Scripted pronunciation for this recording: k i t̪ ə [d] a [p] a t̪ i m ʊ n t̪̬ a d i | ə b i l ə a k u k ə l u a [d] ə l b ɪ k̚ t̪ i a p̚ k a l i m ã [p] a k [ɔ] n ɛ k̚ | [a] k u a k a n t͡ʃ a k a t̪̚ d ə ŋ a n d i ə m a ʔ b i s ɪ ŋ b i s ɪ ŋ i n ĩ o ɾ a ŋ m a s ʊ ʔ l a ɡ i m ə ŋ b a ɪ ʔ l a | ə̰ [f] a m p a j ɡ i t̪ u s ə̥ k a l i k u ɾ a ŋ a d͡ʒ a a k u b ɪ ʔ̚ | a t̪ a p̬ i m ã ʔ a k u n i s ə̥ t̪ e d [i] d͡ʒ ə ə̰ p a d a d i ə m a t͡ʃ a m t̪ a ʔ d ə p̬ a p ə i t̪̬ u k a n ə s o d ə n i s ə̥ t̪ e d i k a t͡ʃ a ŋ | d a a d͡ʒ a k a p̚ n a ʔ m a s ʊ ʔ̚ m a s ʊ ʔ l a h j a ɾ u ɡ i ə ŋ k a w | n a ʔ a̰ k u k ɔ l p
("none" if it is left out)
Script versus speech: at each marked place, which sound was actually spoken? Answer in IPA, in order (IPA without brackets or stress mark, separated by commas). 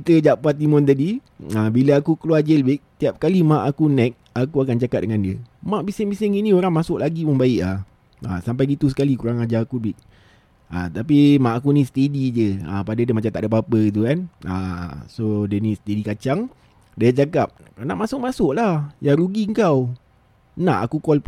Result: d͡ʒ, p, d͡ʒ, ʔ, u, a, s, i